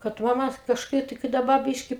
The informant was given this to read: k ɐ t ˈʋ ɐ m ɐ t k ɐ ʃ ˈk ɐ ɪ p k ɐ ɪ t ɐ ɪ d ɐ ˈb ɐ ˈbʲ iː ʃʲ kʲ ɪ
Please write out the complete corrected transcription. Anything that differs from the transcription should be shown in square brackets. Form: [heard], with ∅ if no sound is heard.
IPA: k ɐ t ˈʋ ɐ m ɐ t k ɐ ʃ ˈk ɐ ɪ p [t] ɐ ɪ [k] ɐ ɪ d ɐ ˈb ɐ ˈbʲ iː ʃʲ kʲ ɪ